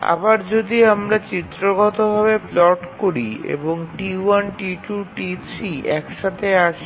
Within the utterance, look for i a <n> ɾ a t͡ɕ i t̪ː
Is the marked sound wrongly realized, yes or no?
yes